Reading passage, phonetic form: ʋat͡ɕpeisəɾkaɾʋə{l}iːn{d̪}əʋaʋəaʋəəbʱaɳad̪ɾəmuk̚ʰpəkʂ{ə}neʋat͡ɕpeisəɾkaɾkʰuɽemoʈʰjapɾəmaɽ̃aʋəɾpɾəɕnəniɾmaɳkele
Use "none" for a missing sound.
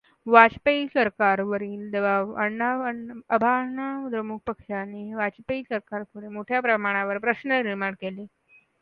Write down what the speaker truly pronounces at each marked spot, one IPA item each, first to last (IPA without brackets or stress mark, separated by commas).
ɾ, d̪, a